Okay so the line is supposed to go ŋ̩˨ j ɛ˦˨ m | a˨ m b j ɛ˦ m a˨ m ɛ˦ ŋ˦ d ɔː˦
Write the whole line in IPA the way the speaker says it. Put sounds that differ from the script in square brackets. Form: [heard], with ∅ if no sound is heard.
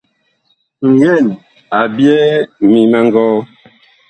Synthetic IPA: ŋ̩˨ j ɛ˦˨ [n] | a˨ [∅] b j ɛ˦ m [i˨] m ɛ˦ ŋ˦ [ɡ] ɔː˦